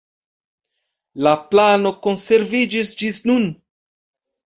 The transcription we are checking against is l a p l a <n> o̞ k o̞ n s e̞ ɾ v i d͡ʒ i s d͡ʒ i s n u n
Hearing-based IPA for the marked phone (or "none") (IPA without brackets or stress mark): n